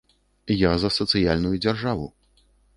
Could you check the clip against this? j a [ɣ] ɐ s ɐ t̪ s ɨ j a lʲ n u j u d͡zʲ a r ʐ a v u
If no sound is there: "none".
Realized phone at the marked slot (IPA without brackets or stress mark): z